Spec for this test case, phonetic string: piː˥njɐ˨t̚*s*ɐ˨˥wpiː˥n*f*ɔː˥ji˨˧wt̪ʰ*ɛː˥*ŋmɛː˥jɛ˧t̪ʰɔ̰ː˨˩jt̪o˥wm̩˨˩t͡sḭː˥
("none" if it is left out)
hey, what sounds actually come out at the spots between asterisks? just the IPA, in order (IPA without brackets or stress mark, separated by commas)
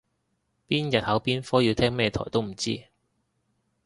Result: h, f, ɛː˥